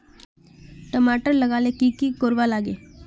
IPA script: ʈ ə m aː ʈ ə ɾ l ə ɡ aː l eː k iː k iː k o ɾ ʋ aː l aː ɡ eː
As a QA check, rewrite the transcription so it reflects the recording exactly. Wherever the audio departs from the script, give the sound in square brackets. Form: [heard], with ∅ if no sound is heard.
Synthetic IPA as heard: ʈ ə m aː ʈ ə ɾ l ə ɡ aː l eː k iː k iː k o ɾ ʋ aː l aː ɡ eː